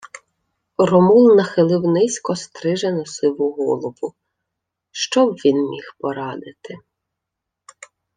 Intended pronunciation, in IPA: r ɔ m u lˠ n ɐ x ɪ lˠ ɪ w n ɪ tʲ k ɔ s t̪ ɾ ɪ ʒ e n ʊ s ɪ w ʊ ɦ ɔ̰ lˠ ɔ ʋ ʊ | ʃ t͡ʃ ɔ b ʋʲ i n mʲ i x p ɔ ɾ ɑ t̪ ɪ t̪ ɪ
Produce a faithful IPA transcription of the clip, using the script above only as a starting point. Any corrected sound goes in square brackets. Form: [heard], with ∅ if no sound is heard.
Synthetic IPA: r ɔ m u lˠ n ɐ x ɪ lˠ ɪ w n ɪ [sʲ] k ɔ s t̪ ɾ ɪ ʒ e n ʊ s ɪ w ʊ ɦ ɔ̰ lˠ ɔ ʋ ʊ | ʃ t͡ʃ ɔ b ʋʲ i n mʲ i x p ɔ ɾ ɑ [d̪] ɪ t̪ ɪ